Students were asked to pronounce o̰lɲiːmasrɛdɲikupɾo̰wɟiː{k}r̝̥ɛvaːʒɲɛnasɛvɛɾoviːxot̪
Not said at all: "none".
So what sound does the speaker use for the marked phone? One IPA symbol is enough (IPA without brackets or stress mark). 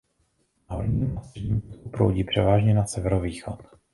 p